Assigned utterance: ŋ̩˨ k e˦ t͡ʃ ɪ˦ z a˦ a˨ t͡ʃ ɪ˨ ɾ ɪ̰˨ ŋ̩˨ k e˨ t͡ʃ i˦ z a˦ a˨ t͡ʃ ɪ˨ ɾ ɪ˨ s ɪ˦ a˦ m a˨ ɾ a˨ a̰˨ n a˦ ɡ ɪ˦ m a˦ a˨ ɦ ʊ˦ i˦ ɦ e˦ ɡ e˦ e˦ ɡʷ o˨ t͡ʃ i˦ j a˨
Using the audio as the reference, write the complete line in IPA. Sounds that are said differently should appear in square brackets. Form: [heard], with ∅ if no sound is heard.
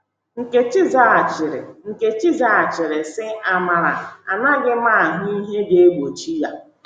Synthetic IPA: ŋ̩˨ k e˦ t͡ʃ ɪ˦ z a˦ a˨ t͡ʃ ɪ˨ ɾ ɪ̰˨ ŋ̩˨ k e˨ t͡ʃ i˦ z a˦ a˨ t͡ʃ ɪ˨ ɾ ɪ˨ s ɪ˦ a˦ m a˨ ɾ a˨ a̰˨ n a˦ ɡ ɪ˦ m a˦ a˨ ɦ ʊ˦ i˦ ɦ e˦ ɡ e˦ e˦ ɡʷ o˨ t͡ʃ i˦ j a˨

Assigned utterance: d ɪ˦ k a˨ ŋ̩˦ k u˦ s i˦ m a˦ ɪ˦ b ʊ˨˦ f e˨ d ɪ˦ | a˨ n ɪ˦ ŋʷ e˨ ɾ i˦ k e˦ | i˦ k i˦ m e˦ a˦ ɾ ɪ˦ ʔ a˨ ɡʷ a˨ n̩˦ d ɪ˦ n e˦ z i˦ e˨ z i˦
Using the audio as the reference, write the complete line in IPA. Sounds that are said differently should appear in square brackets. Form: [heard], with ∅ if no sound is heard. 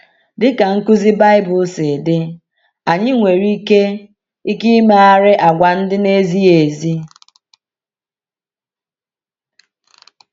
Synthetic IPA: d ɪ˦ k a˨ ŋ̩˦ k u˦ [z] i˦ [b] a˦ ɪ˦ b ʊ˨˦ [s] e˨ d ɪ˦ | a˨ [ɲ] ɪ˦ ŋʷ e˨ ɾ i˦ k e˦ | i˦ k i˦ m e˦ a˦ ɾ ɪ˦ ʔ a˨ ɡʷ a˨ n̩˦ d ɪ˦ n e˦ z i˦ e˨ z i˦

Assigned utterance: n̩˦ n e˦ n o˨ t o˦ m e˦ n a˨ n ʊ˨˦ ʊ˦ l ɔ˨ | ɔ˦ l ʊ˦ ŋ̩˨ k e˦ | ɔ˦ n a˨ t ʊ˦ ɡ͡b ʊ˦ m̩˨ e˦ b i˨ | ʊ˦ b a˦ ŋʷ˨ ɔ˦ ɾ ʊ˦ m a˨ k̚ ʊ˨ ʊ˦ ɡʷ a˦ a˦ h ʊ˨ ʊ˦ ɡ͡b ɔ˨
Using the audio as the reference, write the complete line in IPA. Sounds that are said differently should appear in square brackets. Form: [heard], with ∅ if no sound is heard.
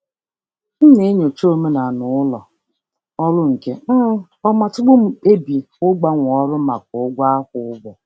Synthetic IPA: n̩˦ n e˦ [ɲ] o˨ [t͡ʃ] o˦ m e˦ n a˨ n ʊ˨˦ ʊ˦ l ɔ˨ | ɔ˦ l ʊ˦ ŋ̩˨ k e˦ | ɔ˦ [m] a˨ t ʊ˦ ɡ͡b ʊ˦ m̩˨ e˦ b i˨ | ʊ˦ [ɡ͡b] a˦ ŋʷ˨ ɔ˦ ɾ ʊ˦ m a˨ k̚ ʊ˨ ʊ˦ ɡʷ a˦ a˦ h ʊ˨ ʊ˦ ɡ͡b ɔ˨

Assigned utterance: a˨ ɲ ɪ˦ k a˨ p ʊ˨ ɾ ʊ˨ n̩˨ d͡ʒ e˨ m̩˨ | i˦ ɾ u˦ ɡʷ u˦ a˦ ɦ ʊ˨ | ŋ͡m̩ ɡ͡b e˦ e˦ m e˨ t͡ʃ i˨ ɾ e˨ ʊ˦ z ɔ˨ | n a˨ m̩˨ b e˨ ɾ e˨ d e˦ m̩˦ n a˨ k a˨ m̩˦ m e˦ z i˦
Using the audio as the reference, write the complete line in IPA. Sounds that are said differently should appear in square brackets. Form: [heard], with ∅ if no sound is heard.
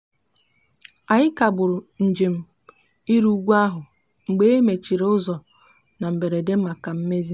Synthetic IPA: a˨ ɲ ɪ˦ k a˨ [b] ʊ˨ ɾ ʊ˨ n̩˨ d͡ʒ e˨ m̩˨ | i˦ ɾ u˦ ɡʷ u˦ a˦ ɦ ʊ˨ | ŋ͡m̩ ɡ͡b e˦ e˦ m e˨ t͡ʃ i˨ ɾ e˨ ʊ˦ z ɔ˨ | n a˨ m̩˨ b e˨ ɾ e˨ d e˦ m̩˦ [m] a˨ k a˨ m̩˦ m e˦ z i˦

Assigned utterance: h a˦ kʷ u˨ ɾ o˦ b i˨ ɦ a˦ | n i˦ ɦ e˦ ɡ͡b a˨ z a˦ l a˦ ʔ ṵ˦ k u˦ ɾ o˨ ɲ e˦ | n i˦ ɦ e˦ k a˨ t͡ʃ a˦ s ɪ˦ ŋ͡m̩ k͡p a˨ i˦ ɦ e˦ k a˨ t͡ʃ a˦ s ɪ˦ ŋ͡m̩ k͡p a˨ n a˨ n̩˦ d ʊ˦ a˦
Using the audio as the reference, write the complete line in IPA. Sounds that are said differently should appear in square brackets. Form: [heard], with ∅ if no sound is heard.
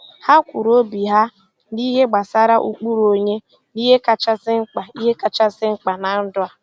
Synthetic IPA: h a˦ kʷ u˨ ɾ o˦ b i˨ ɦ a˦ | n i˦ ɦ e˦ ɡ͡b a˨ [s] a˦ [ɾ] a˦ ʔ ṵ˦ [k͡p] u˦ ɾ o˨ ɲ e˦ | n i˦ ɦ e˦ k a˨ t͡ʃ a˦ s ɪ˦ ŋ͡m̩ k͡p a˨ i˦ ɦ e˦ k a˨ t͡ʃ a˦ s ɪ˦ ŋ͡m̩ k͡p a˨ n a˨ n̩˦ d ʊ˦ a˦

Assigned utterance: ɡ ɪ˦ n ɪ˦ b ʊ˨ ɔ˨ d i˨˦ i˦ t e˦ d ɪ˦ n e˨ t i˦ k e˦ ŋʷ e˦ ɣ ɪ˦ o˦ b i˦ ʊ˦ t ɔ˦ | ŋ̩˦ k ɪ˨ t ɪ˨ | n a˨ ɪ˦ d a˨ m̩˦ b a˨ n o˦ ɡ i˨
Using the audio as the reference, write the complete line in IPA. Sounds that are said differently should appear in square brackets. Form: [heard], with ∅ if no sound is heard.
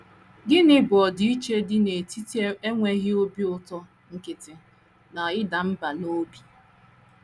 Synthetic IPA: ɡ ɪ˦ n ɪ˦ b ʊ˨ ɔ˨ d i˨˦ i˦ [t͡ʃ] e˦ d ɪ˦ n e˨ t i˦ [t] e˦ ŋʷ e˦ ɣ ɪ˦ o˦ b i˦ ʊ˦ t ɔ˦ | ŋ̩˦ k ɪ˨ t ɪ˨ | n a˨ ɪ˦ d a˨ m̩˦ b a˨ n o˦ [b] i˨

